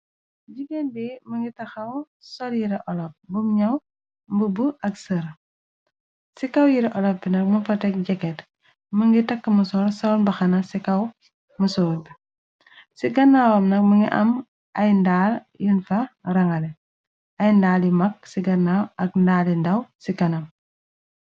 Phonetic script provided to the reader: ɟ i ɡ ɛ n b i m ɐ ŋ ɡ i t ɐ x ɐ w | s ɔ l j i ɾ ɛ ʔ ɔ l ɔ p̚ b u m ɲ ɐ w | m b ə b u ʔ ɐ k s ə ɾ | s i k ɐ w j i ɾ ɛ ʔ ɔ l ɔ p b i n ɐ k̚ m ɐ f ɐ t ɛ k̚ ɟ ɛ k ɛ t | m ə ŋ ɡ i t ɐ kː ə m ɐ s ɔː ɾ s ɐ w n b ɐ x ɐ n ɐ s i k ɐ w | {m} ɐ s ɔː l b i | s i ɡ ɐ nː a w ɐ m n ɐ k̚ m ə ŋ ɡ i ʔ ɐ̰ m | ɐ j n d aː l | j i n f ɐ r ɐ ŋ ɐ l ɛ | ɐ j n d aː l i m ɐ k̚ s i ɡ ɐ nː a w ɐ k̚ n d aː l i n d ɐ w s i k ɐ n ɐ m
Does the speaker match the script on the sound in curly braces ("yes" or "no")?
yes